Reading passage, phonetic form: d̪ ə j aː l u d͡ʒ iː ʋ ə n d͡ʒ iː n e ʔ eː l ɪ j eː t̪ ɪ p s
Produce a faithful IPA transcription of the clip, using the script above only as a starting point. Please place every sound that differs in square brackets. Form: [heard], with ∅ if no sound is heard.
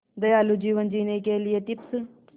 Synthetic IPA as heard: d̪ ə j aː l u d͡ʒ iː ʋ ə n d͡ʒ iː n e [k] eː l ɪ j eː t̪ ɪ p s